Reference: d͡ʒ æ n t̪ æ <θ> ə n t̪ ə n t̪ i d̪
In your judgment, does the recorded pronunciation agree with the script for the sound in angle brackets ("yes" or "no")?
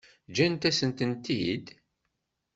no